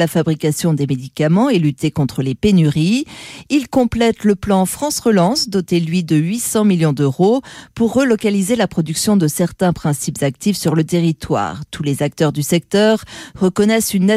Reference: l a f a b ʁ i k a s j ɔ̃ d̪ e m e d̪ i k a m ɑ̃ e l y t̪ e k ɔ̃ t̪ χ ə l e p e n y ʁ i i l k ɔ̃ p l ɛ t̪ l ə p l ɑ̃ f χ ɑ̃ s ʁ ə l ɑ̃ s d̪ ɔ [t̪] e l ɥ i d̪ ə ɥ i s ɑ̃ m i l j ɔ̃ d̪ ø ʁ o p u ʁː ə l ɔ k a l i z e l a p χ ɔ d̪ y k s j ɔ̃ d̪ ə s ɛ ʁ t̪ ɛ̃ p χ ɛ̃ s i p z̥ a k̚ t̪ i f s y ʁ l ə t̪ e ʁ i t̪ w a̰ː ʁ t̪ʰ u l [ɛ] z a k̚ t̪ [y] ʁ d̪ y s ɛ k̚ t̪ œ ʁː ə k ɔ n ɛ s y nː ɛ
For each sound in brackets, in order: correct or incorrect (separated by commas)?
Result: correct, incorrect, incorrect